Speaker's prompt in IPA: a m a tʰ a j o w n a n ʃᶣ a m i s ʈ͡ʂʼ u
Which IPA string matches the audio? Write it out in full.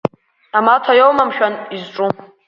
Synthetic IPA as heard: a m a tʰ a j o w m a m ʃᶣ a n i z ʈ͡ʂʼ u